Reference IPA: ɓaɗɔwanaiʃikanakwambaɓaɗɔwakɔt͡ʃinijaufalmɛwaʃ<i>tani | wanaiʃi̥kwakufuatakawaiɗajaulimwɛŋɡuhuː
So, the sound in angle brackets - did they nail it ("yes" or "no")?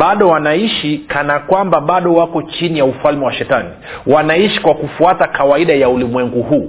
no